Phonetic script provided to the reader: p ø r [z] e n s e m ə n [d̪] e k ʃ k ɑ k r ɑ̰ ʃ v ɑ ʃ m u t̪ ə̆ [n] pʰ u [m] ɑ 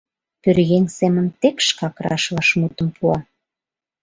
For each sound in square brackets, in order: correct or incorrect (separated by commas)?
incorrect, incorrect, incorrect, incorrect